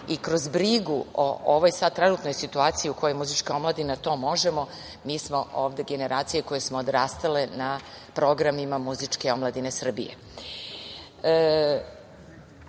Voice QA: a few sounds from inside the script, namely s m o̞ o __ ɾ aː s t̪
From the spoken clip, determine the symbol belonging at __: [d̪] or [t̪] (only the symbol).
d̪